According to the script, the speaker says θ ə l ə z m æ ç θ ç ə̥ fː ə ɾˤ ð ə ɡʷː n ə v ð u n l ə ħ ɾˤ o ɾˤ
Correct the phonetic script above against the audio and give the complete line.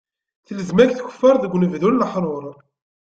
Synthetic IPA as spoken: θ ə l ə z m æ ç θ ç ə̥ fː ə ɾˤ ð ə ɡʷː n ə v ð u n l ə ħ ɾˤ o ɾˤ